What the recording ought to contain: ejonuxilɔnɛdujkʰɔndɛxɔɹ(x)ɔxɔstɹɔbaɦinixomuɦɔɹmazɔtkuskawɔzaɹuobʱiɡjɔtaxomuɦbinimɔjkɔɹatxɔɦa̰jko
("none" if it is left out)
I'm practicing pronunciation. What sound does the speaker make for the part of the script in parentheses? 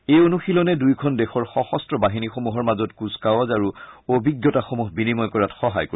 x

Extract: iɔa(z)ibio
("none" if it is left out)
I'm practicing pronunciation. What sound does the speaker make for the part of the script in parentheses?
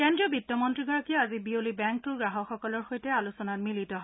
z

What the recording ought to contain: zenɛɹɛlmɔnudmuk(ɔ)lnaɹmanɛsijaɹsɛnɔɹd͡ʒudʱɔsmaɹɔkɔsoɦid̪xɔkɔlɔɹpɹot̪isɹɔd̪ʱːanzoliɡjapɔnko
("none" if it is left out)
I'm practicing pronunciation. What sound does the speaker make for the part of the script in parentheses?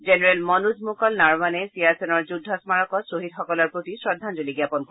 ɔ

